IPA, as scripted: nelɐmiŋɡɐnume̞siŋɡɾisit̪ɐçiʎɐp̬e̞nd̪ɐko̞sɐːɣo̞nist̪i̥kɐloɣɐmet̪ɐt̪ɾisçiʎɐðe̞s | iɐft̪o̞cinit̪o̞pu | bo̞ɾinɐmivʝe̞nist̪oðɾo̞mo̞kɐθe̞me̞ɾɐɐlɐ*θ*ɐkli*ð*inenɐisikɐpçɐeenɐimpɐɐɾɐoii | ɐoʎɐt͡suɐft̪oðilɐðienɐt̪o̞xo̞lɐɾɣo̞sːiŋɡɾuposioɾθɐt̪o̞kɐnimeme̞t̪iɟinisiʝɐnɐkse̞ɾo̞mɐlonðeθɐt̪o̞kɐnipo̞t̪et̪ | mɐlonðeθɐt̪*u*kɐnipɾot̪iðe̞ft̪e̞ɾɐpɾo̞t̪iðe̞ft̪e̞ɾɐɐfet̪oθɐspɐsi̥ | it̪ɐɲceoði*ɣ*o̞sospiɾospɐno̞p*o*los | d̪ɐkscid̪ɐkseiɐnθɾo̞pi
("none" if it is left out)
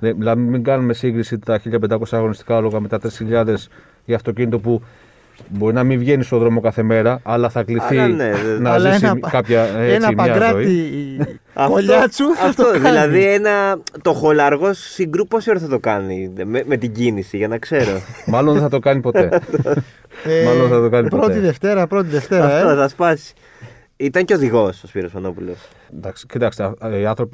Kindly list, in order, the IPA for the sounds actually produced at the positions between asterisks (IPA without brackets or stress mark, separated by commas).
θ, θ, o, ɣ, u